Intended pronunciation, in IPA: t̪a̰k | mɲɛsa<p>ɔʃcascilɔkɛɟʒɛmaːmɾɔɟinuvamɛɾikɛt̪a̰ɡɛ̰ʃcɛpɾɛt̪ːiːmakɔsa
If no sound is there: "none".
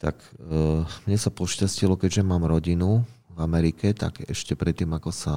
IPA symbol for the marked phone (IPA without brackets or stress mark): p